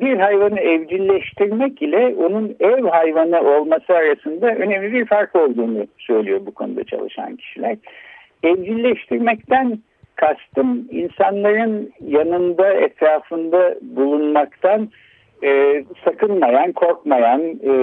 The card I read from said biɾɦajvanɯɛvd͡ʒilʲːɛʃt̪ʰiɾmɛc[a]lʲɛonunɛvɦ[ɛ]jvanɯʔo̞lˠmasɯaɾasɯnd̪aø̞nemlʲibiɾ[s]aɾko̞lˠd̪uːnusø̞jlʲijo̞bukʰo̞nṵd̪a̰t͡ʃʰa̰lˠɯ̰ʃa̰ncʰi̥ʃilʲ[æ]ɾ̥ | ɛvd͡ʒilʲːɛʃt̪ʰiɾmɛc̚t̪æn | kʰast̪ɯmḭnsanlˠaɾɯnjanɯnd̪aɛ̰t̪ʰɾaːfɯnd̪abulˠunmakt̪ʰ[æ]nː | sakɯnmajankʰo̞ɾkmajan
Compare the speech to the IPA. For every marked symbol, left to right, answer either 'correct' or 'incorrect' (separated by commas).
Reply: incorrect, incorrect, incorrect, correct, incorrect